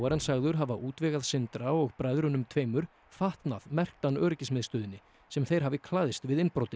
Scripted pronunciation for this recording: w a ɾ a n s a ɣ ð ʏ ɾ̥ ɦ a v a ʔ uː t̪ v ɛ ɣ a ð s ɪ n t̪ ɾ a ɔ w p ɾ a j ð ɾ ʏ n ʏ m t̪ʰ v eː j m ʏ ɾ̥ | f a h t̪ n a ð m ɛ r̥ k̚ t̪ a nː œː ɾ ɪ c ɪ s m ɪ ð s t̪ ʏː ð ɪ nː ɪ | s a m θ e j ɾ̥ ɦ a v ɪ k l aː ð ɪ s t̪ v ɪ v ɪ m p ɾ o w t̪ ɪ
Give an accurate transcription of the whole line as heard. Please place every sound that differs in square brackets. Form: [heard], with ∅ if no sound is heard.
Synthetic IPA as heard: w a ɾ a n s a ɣ ð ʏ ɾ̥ ɦ a v a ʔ uː t̪ v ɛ ɣ a ð s ɪ n t̪ ɾ a ɔ [ɣ] p ɾ a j ð ɾ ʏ n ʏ m t̪ʰ v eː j m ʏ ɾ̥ | f a h t̪ n a ð m ɛ r̥ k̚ t̪ a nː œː ɾ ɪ c ɪ s m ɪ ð s t̪ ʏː ð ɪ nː ɪ | s [ɛ] m θ e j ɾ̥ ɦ a v ɪ [kʰ] l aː ð ɪ s t̪ v ɪ [ð] ɪ [n] p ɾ o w t̪ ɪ

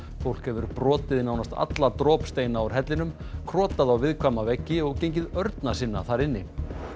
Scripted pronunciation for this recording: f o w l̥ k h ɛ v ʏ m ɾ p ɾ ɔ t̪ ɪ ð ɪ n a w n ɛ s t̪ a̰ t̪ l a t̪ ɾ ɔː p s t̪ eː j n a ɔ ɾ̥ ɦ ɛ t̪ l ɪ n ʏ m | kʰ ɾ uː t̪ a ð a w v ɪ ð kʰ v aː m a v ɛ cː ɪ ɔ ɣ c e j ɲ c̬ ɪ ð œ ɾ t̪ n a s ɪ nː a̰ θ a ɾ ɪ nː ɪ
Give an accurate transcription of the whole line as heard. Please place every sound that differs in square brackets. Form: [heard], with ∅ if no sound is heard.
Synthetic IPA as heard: f o w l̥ k h ɛ v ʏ [∅] ɾ p ɾ [ɔː] t̪ ɪ ð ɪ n a w n [a] s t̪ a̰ t̪ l a t̪ ɾ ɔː p s t̪ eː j n a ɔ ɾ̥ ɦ ɛ t̪ l ɪ n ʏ m | kʰ ɾ [ɔː] t̪ a ð a w v ɪ ð kʰ v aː m a v ɛ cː ɪ ɔ ɣ c e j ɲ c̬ ɪ ð œ ɾ t̪ n a s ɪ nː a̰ θ a ɾ ɪ nː ɪ

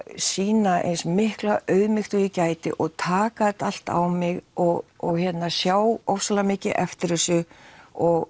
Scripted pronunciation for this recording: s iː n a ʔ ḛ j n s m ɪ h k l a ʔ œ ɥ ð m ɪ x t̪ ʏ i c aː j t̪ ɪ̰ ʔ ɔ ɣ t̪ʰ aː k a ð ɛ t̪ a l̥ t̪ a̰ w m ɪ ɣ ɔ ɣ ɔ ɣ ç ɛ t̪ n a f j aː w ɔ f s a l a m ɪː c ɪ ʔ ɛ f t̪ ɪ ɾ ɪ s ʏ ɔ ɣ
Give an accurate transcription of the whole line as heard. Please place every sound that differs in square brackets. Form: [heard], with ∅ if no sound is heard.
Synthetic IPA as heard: s iː n a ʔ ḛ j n s m ɪ h k l a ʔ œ ɥ ð m ɪ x t̪ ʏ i c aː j t̪ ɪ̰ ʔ ɔ ɣ t̪ʰ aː k a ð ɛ t̪ a l̥ t̪ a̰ w m ɪ ɣ ɔ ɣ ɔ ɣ ç ɛ t̪ n a [s] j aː w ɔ f s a l a m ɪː c ɪ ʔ ɛ f t̪ ɪ ɾ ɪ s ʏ ɔ ɣ

